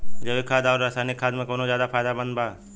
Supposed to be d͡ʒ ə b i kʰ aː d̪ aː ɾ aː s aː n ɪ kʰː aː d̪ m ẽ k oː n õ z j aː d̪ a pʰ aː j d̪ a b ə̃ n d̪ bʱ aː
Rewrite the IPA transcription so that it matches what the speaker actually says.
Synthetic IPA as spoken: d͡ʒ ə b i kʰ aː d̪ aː ɾ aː s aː n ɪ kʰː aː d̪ m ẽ k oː n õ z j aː d̪ a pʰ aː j d̪ a b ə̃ n d̪ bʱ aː